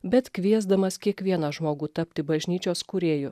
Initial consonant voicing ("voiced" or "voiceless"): voiced